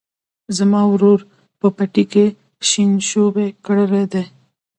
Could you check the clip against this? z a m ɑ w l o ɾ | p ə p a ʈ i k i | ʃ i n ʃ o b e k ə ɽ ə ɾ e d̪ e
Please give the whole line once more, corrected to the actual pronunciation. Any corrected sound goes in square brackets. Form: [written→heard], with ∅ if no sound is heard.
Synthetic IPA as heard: z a m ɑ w [l→ɾ] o ɾ | p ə p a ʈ i k [i→e] | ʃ i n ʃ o b e k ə ɽ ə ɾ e d̪ e